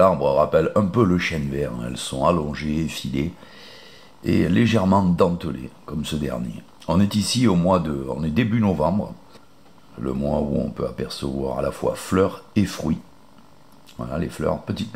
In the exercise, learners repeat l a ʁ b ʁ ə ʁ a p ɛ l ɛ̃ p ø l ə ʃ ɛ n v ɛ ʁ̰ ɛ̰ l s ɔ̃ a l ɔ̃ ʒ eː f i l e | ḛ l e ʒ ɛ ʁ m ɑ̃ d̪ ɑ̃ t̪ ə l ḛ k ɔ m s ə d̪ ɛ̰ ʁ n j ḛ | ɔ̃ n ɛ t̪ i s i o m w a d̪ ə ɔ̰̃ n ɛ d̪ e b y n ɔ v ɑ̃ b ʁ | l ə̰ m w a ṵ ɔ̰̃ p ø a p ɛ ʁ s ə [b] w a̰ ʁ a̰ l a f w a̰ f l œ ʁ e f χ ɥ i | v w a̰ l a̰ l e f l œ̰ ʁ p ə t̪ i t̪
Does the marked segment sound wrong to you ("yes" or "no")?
yes